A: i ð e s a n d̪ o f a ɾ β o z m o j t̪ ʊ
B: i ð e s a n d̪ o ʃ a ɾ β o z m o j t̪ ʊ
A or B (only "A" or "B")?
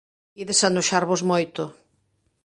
B